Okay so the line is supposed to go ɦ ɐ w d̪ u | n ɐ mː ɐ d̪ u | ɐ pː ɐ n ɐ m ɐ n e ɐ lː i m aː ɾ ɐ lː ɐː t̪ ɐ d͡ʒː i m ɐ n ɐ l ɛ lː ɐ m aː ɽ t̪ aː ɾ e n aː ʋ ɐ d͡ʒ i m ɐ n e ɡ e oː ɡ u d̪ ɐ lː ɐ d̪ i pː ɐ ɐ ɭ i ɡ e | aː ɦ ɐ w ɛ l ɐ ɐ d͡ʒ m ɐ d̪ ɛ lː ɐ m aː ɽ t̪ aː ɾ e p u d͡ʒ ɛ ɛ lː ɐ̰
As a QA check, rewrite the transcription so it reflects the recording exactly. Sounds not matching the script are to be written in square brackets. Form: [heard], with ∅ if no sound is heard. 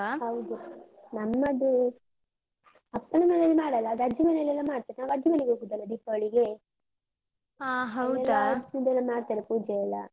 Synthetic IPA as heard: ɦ ɐ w d̪ u | n ɐ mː ɐ d̪ u | ɐ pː ɐ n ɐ m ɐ n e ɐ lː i m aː [ɽ] ɐ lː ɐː [d̪] ɐ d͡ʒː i m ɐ n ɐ l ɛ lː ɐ m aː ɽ t̪ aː ɾ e n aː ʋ ɐ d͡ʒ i m ɐ n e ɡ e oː ɡ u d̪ ɐ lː ɐ d̪ i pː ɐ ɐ ɭ i ɡ e | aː ɦ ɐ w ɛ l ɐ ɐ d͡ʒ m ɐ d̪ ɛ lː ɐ m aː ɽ t̪ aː ɾ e p [uː] d͡ʒ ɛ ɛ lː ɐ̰

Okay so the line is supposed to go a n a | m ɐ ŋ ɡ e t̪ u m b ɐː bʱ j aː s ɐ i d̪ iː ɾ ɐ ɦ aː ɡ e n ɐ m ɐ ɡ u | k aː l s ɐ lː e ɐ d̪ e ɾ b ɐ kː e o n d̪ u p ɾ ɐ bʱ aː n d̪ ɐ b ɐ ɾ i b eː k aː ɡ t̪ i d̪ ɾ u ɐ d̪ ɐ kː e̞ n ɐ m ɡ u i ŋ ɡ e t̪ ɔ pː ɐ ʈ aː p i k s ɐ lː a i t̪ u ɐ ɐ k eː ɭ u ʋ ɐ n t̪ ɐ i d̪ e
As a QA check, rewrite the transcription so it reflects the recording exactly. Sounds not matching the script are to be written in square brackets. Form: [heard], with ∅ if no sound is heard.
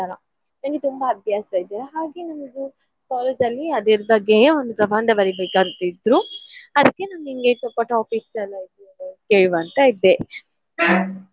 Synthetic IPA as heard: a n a | [n] ɐ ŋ ɡ e t̪ u m b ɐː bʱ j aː s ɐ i d̪ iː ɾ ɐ ɦ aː ɡ e n ɐ m ɐ ɡ u | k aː l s ɐ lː [i] ɐ d̪ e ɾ b ɐ [ɡː] e o n d̪ u p ɾ ɐ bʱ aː n d̪ ɐ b ɐ ɾ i b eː k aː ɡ t̪ i d̪ ɾ u ɐ d̪ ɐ kː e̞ n ɐ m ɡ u i ŋ ɡ e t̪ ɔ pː ɐ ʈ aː p i k s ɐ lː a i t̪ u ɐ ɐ k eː ɭ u ʋ ɐ n t̪ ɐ i d̪ e

